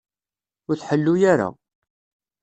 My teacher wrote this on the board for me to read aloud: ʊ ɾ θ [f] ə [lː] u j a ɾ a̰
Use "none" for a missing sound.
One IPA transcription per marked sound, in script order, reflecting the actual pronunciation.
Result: ħ, lː

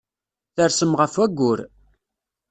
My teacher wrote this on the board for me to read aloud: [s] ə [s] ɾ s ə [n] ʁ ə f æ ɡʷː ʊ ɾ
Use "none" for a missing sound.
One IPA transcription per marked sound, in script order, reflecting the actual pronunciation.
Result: θ, none, m

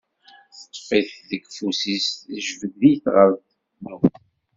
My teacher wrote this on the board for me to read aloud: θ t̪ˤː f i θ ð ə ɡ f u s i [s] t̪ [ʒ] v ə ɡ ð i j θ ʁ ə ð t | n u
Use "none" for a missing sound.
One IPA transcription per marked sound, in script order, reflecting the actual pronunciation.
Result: s, ʒ

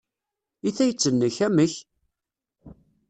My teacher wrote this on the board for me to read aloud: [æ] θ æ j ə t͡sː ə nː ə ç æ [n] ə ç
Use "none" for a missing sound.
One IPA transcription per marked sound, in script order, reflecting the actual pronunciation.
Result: i, m

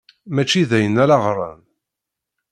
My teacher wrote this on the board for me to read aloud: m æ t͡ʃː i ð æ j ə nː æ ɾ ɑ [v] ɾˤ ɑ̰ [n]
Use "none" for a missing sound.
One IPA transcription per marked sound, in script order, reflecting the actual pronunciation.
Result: ʁ, n

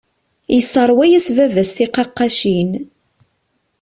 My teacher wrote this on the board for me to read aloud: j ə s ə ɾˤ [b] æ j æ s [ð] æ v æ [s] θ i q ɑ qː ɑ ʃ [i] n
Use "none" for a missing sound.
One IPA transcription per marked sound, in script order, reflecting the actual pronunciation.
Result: w, v, s, i

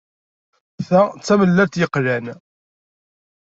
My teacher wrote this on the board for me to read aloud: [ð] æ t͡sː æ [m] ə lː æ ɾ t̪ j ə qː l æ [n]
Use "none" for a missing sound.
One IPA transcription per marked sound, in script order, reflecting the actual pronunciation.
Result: θ, m, n

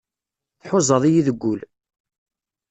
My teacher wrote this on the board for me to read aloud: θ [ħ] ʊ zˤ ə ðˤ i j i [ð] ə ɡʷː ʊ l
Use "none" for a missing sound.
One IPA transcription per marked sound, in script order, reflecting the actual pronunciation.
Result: ħ, ð

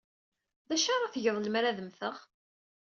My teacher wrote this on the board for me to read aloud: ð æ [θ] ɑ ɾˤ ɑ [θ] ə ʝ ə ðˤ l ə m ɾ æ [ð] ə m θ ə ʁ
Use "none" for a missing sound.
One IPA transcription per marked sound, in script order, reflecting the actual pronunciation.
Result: ʃ, θ, ð

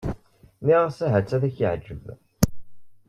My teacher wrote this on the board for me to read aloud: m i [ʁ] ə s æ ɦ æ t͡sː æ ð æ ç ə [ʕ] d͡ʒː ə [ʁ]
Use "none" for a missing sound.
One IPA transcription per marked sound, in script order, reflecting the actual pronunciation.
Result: ʁ, ʕ, v

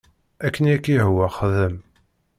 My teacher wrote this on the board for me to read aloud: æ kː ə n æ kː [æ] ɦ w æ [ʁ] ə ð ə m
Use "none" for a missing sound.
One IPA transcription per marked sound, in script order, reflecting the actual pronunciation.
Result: i, χ

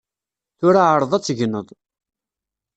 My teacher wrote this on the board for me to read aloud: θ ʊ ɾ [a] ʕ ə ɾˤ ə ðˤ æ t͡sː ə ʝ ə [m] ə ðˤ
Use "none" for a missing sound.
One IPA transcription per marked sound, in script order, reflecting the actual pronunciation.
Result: a, n

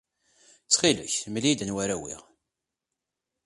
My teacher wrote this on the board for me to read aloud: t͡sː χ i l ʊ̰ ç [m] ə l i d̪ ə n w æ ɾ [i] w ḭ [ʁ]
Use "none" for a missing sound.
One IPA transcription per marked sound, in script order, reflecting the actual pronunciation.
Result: m, æ, ʁ

